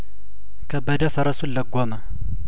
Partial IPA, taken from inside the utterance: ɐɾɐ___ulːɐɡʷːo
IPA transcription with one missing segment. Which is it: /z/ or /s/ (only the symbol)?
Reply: s